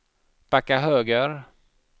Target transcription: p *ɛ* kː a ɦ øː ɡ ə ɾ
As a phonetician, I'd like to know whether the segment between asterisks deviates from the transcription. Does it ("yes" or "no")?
yes